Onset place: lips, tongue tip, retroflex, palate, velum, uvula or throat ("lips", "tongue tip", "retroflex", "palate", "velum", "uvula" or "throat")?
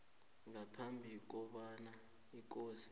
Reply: velum